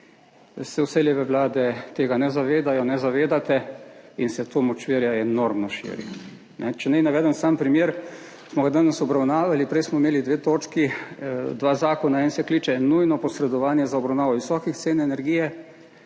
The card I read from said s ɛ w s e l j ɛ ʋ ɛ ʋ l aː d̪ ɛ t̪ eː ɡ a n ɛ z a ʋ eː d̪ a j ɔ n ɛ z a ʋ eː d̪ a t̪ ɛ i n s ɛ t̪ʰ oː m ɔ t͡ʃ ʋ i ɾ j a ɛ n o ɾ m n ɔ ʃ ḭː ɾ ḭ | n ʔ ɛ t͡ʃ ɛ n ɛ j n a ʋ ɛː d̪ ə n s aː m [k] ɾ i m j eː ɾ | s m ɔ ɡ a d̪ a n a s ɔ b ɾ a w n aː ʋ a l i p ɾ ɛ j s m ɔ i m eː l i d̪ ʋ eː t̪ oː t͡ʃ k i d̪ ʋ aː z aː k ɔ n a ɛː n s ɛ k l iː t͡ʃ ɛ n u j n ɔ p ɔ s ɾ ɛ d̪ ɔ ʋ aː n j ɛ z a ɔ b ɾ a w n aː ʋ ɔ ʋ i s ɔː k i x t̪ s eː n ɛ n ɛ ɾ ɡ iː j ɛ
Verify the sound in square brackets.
incorrect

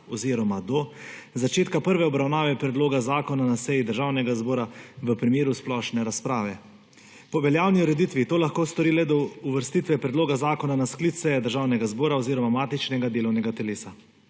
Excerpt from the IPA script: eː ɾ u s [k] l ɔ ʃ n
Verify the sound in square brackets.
incorrect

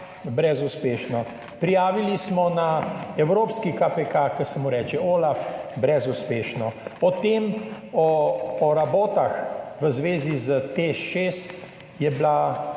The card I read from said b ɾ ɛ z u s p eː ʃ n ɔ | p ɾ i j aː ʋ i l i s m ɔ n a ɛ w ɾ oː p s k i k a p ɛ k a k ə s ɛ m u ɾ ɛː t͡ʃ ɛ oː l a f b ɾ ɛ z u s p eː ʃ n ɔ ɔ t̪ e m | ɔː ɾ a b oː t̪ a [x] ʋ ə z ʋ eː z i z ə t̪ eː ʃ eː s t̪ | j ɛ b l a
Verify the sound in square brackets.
correct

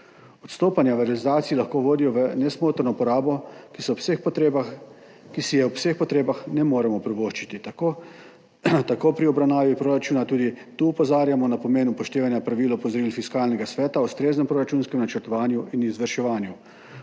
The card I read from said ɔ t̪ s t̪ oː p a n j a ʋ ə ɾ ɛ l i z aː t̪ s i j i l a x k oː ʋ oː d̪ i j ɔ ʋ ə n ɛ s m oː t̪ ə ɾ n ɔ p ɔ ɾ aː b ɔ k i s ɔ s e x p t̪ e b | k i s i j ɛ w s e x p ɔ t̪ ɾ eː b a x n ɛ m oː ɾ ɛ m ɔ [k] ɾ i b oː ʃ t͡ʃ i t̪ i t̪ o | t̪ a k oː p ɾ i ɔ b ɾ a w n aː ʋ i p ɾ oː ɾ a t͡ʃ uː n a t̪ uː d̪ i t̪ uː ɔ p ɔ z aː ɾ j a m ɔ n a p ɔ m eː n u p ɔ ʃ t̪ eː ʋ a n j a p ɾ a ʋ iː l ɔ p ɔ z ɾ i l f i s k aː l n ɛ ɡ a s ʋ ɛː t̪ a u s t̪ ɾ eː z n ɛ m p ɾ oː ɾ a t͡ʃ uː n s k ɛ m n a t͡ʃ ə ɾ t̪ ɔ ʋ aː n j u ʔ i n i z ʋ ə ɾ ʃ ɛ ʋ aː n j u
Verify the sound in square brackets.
incorrect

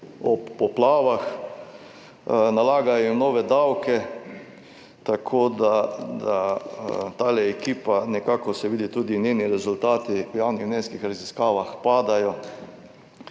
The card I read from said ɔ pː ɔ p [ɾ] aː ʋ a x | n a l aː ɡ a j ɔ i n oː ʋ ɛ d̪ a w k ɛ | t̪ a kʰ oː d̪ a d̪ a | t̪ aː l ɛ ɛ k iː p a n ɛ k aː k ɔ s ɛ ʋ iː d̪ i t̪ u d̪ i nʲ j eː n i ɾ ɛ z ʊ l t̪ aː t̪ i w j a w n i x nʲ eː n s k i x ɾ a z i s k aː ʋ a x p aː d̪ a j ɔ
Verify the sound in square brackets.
incorrect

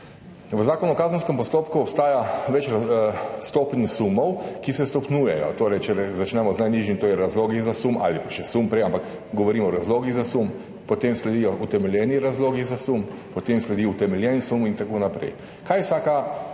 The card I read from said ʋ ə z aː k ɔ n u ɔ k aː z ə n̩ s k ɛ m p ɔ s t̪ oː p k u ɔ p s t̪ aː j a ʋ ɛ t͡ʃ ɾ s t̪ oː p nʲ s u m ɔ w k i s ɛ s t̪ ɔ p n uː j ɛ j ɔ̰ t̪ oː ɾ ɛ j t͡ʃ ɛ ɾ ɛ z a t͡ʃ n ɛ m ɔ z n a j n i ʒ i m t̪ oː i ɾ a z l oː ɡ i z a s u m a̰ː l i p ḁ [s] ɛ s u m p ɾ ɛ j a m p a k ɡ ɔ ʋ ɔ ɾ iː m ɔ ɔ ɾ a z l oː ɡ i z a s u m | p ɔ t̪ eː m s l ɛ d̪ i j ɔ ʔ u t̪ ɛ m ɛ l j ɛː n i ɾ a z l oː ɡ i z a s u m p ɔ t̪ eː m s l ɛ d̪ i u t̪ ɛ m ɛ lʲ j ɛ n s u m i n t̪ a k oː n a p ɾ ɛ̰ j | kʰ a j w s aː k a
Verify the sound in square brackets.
incorrect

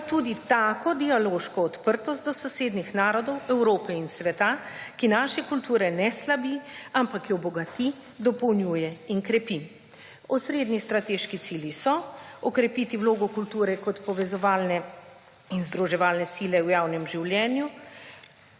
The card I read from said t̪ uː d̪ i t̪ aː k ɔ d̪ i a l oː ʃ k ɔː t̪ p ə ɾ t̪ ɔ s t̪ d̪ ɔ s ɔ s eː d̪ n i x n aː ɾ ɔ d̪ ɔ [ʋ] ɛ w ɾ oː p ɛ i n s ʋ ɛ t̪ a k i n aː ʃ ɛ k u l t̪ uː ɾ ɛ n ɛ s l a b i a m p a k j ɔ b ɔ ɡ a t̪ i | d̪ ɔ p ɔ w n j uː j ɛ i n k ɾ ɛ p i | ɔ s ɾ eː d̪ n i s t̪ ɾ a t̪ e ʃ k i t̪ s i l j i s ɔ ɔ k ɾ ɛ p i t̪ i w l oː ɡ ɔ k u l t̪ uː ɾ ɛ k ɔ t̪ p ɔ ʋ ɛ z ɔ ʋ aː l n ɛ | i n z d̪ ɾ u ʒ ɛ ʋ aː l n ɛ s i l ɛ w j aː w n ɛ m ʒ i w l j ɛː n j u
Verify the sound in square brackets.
incorrect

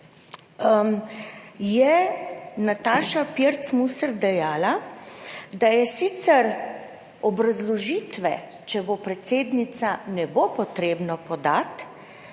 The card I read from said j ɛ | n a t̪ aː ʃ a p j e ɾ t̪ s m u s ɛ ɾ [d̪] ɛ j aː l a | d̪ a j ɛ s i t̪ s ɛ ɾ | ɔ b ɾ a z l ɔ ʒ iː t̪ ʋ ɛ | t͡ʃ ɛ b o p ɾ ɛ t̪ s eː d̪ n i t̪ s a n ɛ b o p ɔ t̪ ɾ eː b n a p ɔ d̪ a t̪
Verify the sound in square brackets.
correct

